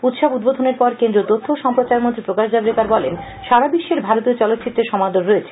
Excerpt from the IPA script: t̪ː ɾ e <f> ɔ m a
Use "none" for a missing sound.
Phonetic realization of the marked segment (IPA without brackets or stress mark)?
ʃ